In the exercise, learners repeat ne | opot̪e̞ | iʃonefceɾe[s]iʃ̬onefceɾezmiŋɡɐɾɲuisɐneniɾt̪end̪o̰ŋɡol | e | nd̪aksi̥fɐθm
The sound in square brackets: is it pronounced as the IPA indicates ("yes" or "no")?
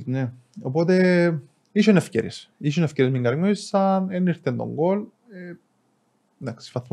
yes